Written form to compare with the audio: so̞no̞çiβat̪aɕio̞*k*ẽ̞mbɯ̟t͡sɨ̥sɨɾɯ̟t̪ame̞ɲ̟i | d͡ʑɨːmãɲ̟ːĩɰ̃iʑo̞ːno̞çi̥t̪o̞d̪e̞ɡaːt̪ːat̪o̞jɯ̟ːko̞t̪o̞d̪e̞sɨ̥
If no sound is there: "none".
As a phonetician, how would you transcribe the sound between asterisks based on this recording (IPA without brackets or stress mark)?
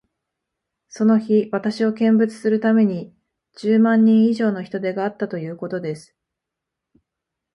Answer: k